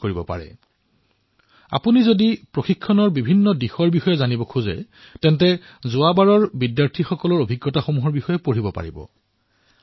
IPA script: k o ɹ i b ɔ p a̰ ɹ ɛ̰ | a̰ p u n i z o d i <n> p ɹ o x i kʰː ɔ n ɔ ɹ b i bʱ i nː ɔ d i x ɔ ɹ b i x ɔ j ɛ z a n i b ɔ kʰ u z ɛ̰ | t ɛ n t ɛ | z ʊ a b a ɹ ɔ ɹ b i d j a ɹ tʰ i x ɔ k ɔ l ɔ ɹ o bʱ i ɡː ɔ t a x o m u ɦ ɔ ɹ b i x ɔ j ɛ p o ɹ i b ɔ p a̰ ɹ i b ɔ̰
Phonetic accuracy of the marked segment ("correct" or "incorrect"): incorrect